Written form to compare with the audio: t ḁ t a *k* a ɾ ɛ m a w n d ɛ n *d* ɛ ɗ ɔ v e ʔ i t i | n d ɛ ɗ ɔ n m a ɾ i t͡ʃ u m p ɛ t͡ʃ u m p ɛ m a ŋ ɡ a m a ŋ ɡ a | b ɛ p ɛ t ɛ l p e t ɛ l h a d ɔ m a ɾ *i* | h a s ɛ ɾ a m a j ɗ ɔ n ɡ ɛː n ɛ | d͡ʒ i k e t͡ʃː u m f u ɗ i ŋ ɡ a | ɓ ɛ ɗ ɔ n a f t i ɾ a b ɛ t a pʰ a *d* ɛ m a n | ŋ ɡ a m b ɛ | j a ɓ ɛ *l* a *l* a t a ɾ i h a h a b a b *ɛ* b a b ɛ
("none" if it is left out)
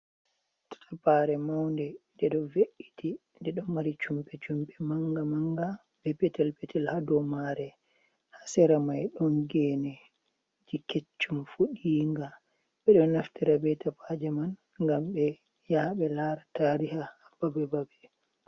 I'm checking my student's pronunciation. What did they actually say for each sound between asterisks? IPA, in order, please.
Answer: p, d, ɛ, d͡ʒ, l, ɾ, ɛ

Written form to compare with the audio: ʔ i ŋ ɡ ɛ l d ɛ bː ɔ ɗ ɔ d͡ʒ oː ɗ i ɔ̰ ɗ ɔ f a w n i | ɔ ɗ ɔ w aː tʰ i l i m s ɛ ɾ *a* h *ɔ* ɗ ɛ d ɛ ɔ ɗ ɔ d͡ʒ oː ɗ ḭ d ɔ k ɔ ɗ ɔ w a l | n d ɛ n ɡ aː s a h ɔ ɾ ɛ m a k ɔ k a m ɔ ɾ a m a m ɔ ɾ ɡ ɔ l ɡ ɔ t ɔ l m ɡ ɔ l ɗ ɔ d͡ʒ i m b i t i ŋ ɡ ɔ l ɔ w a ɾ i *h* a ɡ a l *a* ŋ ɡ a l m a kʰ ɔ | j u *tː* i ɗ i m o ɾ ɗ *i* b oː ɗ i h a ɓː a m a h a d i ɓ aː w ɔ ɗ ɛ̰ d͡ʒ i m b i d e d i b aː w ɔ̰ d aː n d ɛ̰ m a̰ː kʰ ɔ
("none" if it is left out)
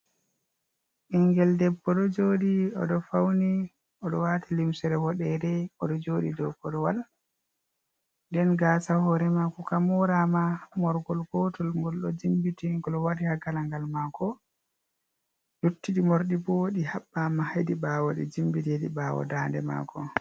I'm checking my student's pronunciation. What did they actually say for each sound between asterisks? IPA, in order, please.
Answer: ɛ, ɔ, h, a, tː, i

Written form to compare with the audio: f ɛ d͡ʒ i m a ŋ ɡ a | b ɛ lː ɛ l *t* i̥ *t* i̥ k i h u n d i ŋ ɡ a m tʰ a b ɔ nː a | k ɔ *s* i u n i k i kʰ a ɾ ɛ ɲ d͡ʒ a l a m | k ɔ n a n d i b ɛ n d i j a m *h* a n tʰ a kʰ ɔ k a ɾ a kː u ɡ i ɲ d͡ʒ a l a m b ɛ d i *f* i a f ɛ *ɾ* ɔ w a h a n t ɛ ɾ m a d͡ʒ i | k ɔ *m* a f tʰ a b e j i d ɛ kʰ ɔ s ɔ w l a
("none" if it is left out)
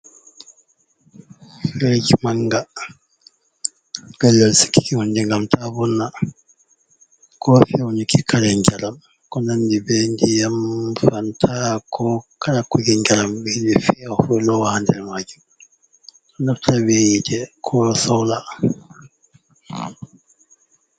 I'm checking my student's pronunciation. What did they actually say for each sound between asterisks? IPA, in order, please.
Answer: s, k, f, f, f, l, n

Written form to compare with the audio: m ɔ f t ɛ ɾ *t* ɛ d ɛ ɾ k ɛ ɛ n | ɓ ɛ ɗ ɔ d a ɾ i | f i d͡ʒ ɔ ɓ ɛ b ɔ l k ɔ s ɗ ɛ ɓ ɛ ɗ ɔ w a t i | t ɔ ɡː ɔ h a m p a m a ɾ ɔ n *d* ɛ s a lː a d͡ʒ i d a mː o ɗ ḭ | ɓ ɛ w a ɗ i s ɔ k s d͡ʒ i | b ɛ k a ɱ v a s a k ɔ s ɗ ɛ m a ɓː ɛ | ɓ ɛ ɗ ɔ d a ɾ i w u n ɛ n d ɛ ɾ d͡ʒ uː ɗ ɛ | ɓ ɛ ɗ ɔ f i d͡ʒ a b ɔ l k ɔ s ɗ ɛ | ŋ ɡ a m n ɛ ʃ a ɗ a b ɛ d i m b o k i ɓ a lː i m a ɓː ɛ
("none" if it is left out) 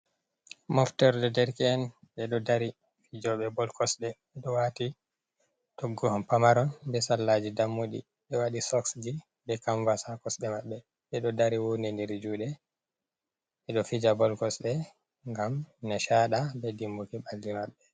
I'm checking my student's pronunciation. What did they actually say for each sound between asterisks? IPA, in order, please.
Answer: d, b

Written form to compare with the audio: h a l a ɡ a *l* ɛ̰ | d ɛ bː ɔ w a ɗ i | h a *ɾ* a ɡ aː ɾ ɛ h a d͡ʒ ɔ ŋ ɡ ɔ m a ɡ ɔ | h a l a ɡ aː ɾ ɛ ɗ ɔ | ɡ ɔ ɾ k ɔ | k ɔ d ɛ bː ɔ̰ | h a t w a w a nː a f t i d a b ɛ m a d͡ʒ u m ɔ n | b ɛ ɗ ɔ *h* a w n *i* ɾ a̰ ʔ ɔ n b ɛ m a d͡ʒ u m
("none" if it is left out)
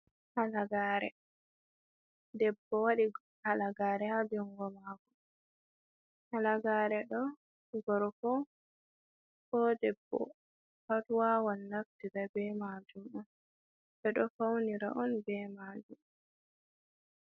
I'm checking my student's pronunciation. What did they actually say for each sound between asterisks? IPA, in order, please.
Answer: ɾ, l, f, i

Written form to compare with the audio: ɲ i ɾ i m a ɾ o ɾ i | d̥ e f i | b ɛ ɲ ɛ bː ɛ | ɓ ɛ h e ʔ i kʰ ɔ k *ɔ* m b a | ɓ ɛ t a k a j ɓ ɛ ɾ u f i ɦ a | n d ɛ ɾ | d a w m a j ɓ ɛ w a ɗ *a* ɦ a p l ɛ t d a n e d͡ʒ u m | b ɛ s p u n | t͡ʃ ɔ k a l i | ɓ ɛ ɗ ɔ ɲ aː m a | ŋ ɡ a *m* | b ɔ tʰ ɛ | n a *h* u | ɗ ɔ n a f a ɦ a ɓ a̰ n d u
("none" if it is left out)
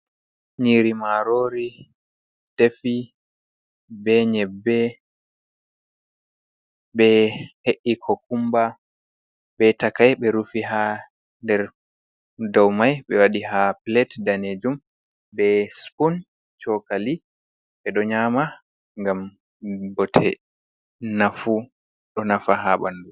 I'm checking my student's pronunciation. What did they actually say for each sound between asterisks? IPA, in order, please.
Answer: u, i, m, f

